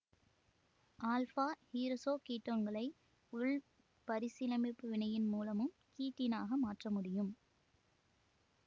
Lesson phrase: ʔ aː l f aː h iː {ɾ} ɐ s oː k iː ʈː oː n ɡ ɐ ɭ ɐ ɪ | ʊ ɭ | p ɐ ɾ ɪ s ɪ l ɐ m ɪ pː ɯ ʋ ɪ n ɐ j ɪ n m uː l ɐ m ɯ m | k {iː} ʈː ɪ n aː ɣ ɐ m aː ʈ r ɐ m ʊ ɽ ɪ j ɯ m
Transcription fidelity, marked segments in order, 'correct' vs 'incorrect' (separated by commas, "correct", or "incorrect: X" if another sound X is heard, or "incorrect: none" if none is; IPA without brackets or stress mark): correct, correct